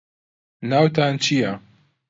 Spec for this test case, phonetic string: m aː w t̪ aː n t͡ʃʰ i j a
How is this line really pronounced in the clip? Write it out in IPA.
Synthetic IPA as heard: n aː w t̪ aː n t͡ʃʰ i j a